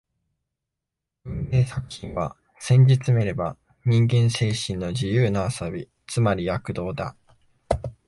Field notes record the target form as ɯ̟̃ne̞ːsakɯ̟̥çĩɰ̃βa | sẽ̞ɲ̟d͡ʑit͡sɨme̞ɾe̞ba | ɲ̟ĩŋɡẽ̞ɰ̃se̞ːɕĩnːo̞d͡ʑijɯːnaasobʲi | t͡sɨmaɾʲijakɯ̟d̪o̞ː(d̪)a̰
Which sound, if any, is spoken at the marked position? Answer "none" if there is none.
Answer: d̪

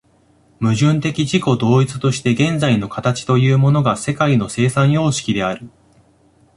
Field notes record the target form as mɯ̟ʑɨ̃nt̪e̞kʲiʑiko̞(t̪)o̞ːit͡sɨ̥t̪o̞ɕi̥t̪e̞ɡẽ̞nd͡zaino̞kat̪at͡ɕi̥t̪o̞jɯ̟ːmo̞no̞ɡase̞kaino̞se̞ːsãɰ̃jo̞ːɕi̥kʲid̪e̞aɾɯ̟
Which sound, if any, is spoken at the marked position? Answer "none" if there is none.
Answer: d̪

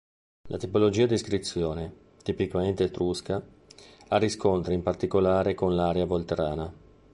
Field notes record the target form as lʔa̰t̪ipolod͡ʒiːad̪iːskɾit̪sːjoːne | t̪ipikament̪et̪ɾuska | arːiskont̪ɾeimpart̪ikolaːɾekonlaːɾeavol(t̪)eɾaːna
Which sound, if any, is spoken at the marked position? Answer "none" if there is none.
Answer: t̪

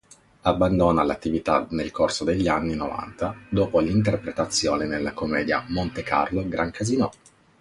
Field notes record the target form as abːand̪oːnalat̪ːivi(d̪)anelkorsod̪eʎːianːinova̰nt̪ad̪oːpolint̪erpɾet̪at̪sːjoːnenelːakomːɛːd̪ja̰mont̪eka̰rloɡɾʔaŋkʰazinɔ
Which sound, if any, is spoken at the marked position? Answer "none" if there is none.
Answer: t̪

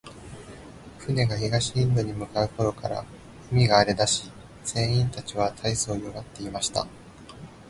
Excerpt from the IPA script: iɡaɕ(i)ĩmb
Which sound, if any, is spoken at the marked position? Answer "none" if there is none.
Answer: i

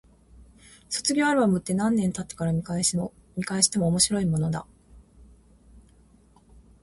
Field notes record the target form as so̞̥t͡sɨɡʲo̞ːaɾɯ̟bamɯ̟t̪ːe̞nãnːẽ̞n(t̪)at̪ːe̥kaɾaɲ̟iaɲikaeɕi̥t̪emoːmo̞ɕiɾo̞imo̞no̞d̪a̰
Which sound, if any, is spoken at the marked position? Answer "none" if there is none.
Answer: t̪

